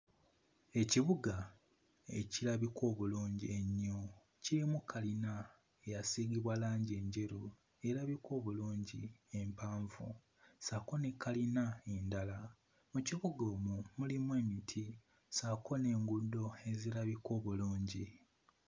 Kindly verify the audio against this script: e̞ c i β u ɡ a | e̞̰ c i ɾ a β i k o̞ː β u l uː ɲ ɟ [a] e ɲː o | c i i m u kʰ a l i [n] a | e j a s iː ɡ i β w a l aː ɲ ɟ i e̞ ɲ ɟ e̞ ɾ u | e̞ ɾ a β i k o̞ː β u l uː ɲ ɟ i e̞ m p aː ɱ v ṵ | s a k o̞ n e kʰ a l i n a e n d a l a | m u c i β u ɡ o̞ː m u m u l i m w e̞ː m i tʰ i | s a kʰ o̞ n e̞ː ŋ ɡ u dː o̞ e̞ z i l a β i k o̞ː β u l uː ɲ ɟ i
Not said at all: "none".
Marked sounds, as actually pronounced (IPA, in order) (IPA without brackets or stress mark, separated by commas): i, n